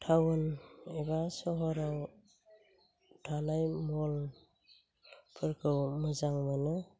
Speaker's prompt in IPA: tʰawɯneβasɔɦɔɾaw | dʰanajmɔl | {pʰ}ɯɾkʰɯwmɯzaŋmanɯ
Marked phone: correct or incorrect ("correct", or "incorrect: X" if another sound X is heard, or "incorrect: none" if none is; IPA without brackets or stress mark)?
correct